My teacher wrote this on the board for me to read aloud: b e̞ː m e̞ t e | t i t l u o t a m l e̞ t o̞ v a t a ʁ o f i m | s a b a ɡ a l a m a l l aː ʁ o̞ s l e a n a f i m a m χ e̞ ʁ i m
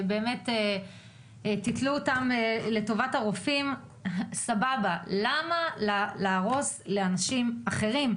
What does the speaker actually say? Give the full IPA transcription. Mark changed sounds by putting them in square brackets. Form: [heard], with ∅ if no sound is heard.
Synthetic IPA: b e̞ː m e̞ t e | t i t l u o t a m l e̞ t o̞ v a t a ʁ o f i m | s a b a [b] a l a m a l l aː ʁ o̞ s l e a n a [ʃ] i m a [∅] χ e̞ ʁ i m